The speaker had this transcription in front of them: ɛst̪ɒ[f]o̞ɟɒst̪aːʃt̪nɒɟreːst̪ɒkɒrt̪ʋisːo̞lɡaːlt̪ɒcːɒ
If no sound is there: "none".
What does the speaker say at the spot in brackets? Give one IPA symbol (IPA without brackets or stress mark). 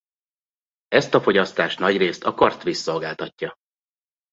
f